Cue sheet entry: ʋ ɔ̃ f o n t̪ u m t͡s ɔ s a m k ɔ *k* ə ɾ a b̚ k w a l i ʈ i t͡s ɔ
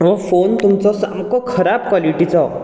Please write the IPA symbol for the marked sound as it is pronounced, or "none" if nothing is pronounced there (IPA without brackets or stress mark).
kʰ